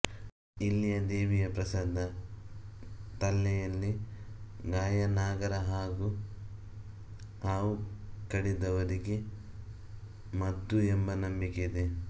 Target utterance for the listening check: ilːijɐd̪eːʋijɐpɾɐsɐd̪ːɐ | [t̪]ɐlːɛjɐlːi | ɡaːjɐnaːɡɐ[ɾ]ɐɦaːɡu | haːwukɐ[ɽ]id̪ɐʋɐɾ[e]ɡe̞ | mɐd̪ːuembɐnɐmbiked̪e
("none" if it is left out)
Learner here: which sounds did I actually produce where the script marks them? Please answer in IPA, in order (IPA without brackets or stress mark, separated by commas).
t̪, ɾ, ɽ, i